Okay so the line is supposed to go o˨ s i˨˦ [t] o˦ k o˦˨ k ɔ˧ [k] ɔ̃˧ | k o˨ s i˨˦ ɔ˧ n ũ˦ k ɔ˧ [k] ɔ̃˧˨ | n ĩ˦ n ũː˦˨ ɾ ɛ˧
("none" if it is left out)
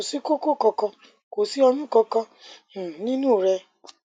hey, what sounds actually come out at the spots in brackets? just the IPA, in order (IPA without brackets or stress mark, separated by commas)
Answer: k, k, k